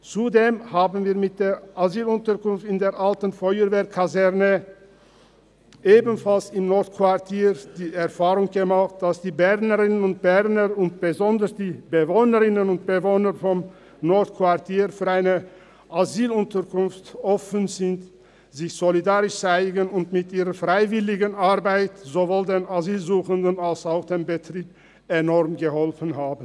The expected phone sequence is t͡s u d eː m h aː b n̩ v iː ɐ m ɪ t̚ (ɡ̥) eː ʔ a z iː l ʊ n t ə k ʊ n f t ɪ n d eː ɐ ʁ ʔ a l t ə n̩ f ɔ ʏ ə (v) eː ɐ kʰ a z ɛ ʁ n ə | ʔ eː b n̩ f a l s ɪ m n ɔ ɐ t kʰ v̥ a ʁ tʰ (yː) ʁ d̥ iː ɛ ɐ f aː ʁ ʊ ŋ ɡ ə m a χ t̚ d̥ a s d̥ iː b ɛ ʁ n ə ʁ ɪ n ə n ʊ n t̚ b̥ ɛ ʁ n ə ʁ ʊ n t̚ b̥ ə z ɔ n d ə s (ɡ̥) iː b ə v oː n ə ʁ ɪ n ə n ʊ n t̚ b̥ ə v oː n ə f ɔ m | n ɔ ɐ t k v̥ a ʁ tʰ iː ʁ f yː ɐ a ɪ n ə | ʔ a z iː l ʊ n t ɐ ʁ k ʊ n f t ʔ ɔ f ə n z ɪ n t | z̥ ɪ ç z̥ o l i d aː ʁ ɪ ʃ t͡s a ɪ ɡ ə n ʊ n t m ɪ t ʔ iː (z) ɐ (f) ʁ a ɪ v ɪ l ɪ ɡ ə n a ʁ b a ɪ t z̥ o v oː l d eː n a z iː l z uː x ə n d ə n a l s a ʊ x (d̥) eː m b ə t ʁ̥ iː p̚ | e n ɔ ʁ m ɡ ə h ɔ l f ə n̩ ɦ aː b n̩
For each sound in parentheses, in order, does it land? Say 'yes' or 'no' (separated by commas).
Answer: no, yes, no, no, no, yes, yes